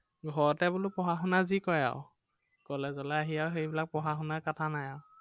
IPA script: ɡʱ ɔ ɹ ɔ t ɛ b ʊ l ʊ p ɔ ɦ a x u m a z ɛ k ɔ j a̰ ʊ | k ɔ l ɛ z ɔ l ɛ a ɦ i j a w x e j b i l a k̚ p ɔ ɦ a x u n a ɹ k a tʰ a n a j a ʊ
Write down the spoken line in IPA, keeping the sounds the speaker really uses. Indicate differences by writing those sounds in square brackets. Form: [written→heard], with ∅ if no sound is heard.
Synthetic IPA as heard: ɡʱ ɔ ɹ ɔ t ɛ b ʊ l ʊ p ɔ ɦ a x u [m→n] a z [ɛ→i] k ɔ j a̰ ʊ | k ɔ l ɛ z ɔ l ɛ a ɦ i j a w x e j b i l a k̚ p ɔ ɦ a x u n a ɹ k a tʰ a n a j a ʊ